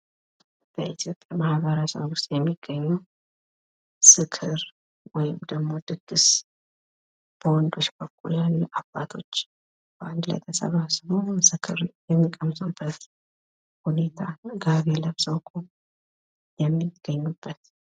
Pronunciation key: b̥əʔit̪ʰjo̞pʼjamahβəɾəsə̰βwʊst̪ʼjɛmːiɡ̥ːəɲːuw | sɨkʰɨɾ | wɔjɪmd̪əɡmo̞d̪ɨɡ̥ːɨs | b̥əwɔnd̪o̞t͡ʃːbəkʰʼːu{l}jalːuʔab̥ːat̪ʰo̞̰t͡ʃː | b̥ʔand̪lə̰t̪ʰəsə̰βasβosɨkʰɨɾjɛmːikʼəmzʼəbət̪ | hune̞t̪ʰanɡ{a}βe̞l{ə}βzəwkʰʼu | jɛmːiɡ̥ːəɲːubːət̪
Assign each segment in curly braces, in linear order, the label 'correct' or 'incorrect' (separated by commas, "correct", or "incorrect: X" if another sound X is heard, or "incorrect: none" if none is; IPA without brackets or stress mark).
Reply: correct, correct, correct